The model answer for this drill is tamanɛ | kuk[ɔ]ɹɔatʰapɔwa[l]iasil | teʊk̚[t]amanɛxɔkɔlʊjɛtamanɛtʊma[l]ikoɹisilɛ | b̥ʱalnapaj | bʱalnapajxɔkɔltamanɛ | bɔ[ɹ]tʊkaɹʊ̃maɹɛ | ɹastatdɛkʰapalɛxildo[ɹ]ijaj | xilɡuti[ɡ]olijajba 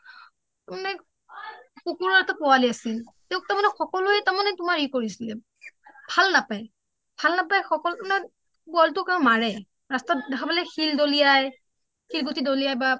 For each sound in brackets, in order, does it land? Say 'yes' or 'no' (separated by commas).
no, yes, yes, no, no, no, no